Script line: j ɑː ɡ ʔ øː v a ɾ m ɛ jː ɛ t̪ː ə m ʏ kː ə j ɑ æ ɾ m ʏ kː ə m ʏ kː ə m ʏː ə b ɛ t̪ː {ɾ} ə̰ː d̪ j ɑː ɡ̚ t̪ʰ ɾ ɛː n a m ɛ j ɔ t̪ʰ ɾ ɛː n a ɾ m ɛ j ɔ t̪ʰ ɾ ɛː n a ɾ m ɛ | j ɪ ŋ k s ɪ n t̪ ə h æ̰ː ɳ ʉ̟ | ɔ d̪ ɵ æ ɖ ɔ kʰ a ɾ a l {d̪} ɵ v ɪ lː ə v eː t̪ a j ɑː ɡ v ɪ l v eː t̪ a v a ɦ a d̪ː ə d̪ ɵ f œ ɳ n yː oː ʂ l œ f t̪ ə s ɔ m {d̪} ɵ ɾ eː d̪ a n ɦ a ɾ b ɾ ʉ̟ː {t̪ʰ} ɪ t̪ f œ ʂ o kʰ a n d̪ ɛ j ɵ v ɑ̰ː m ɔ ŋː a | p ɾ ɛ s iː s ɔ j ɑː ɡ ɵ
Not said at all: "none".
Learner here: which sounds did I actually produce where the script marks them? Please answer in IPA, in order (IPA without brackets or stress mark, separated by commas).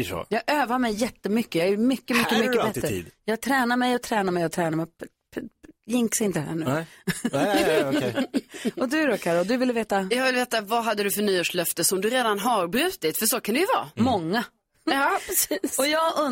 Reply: ɾ, d̪, d̪, t̪